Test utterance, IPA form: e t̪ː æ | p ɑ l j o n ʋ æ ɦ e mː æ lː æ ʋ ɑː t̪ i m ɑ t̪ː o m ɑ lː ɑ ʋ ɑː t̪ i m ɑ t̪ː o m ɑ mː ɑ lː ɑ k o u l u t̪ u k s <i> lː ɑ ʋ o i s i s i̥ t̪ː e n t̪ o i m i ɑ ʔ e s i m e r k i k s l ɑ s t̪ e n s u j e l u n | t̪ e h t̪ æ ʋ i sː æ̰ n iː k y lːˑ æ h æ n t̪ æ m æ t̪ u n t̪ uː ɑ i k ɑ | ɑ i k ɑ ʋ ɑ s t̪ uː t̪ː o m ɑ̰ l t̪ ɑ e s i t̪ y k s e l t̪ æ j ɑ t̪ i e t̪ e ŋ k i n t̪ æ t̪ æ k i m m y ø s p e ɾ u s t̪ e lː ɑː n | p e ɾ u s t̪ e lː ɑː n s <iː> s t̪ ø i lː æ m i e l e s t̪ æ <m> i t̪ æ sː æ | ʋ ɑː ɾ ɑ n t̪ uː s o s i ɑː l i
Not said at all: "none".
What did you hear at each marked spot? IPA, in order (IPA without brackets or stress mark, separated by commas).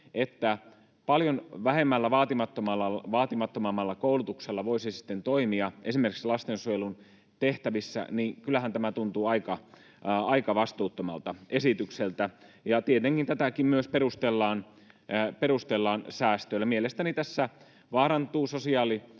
e, æː, n